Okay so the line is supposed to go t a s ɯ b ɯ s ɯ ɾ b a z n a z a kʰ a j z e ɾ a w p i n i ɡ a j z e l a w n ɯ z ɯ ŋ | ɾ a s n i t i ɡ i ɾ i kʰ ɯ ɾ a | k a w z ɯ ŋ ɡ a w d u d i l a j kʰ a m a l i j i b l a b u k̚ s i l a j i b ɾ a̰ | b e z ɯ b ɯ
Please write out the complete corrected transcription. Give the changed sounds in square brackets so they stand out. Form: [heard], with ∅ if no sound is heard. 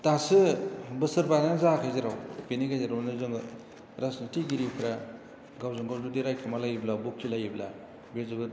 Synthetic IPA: t a s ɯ b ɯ s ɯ ɾ b a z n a z a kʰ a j z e ɾ a w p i n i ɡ a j z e [ɾ] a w n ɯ z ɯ ŋ | ɾ a s n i t i ɡ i ɾ i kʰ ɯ ɾ a | [ɡ] a w z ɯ ŋ ɡ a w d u d i [ɾ] a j kʰ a m a l [a] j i b l a b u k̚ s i l a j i b [l] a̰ | b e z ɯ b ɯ